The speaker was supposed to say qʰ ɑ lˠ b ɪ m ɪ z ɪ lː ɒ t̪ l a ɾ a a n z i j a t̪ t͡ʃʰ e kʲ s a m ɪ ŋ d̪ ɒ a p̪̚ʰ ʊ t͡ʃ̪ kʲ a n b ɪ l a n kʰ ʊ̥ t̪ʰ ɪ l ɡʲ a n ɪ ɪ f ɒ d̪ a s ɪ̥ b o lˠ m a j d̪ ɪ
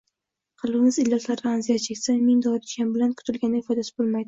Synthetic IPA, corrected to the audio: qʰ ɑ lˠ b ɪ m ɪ z ɪ lː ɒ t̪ l a ɾ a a n z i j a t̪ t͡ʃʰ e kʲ s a m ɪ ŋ d̪ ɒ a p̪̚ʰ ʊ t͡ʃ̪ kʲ a n b ɪ l a n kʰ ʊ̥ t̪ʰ ɪ l ɡʲ a n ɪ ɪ f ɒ d̪ a s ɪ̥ b o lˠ m a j d̪ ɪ